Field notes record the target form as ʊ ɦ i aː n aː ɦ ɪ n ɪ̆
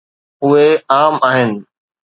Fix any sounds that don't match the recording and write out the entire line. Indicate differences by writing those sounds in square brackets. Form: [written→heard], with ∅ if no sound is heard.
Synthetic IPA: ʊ ɦ [i→e] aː [n→m] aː ɦ ɪ n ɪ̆